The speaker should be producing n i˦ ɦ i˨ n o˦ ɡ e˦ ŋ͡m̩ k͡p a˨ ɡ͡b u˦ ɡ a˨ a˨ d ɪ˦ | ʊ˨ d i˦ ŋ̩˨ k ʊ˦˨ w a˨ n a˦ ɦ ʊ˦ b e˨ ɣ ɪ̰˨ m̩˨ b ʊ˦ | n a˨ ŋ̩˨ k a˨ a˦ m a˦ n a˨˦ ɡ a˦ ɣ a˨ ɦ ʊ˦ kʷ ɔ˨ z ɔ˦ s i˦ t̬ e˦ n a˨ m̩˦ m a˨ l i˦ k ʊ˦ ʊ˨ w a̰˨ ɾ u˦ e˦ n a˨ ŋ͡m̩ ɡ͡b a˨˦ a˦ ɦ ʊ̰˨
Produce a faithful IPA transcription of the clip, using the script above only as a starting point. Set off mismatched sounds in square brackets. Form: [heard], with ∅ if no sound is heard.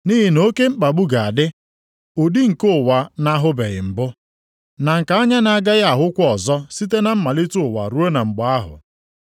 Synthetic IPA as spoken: n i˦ ɦ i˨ n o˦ [k] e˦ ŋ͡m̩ k͡p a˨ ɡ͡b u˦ ɡ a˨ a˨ d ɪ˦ | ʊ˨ d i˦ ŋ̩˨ k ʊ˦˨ w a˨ n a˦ ɦ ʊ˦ b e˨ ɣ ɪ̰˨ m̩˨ b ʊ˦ | n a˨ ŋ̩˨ k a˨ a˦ [ɲ] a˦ n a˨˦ ɡ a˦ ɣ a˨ ɦ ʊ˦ kʷ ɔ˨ z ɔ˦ s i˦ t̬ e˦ n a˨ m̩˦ m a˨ l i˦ [t] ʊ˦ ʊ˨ w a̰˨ ɾ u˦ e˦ n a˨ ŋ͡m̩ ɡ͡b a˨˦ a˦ ɦ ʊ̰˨